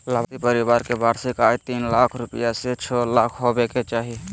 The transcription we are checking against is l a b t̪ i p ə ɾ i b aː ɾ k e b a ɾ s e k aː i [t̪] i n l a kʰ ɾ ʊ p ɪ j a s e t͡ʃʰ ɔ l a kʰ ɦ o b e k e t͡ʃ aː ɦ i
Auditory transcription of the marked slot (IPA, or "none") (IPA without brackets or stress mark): t̪